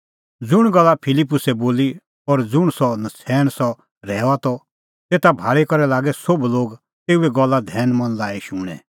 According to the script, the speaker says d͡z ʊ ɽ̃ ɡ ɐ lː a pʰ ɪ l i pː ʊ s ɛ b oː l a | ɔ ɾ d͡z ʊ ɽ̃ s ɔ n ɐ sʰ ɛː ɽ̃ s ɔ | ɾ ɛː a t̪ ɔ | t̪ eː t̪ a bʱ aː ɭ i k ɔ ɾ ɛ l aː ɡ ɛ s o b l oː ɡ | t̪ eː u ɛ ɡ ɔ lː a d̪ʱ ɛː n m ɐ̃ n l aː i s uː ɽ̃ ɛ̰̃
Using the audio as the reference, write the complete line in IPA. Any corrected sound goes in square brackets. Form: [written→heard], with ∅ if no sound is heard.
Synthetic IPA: d͡z ʊ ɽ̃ ɡ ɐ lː a pʰ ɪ l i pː ʊ s ɛ b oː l [a→i] | ɔ ɾ d͡z ʊ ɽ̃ s ɔ n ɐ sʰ ɛː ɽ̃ s ɔ | ɾ ɛː a t̪ ɔ | t̪ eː t̪ a bʱ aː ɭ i k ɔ ɾ ɛ l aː ɡ ɛ s o b l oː ɡ | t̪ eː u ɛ ɡ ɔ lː a d̪ʱ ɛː n m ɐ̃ n l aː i [s→ʃ] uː ɽ̃ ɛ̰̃